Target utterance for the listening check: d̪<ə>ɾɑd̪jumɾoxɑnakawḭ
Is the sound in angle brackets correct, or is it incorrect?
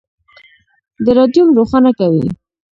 correct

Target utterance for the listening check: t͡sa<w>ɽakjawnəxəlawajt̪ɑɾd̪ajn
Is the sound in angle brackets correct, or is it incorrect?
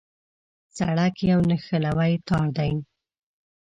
incorrect: none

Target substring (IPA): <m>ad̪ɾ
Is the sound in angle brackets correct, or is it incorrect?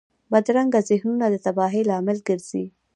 incorrect: b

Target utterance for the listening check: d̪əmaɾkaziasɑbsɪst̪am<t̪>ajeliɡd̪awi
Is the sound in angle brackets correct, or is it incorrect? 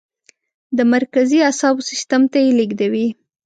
correct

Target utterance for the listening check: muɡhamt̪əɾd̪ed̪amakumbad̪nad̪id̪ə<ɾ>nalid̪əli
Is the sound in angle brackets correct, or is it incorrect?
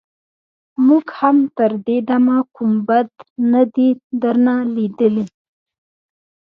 correct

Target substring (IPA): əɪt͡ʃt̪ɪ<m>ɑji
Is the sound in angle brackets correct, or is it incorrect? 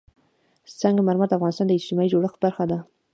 correct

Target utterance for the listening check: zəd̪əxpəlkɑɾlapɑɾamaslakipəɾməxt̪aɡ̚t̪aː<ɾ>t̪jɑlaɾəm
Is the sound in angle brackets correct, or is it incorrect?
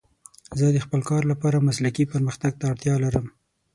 incorrect: ɽ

